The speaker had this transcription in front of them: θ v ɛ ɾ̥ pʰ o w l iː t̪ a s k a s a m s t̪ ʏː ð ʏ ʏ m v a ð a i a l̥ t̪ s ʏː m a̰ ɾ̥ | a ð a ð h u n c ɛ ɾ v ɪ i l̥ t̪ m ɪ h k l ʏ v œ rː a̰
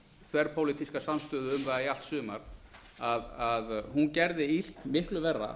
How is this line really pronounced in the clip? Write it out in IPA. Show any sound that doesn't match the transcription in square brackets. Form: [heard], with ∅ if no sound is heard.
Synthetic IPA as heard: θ v ɛ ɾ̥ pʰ o w l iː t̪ [i] s k a s a m s t̪ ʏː ð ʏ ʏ m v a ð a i a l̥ t̪ s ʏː m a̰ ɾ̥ | a ð a ð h u n c ɛ ɾ [ð] ɪ i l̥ t̪ m ɪ h k l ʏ v [ɛ] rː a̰